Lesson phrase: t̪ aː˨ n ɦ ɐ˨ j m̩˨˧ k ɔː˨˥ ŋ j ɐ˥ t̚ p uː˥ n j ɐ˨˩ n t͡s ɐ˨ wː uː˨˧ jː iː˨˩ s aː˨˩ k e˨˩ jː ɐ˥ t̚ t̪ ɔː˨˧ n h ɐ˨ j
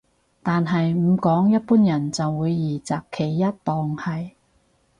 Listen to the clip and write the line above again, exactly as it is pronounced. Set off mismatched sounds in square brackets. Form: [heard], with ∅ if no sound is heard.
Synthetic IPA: t̪ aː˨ n ɦ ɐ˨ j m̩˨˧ k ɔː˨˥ ŋ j ɐ˥ t̚ p uː˥ n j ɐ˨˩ n t͡s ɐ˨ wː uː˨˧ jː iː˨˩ [t͡s] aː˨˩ [kʰ] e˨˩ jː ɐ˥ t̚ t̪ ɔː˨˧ [ŋ] h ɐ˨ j